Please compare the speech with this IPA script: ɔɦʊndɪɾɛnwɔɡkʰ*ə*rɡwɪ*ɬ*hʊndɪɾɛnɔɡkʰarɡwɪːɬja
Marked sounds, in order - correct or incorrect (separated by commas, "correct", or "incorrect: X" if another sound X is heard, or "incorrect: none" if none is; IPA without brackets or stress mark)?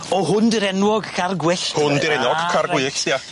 incorrect: a, correct